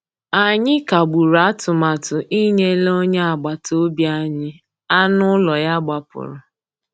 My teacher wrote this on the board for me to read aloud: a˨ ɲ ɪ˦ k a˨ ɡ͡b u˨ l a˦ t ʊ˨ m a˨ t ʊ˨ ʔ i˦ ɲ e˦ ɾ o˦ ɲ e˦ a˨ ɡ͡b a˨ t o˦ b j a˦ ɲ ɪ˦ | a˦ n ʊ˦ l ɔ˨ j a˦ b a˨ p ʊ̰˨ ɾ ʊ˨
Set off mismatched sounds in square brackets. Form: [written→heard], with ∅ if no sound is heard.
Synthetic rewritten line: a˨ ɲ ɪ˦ k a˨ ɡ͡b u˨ [l→ɾ] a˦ t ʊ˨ m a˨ t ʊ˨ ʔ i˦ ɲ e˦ [ɾ→l] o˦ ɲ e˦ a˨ ɡ͡b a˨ t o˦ b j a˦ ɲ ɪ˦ | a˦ n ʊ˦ l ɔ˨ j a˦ [b→ɡ͡b] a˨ p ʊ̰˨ ɾ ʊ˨